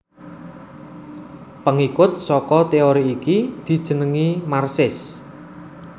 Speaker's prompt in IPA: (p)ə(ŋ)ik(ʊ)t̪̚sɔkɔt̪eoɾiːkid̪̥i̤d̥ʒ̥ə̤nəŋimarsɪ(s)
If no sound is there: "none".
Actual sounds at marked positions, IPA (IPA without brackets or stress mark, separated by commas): p, ŋ, ʊ, s